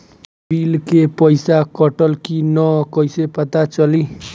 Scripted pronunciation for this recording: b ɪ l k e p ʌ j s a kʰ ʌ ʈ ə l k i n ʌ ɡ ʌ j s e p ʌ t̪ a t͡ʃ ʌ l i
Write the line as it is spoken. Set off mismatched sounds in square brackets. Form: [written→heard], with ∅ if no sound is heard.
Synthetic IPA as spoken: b [ɪ→i] l k e p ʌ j s a [kʰ→k] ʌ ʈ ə l k i n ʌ [ɡ→k] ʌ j s e p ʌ t̪ a t͡ʃ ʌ l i